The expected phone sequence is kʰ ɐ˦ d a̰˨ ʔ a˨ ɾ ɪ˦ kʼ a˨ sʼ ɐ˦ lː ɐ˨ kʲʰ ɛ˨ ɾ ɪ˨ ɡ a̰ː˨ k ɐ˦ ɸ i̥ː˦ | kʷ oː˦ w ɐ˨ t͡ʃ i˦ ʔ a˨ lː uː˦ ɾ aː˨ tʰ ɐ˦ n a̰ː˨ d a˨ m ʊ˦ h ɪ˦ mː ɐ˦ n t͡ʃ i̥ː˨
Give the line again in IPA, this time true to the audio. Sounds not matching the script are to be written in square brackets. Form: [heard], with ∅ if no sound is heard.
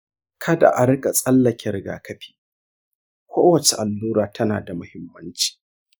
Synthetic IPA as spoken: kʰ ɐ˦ d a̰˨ ʔ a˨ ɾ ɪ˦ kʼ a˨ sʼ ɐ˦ lː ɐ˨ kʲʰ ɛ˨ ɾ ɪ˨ ɡ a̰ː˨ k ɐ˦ ɸ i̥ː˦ | kʷ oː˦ w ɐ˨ t͡ʃ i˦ ʔ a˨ lː uː˦ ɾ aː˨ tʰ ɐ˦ n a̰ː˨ d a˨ m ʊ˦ h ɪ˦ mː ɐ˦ n t͡ʃ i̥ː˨